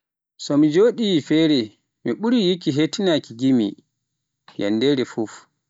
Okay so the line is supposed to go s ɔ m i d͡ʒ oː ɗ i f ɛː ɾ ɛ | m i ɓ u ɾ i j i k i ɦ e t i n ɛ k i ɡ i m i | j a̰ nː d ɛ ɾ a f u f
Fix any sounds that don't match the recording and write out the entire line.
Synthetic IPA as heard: s ɔ m i d͡ʒ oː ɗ i f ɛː ɾ ɛ | m i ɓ u ɾ i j i k i ɦ e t i n a k i ɡ i m i | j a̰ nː d ɛ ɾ ɛ f u f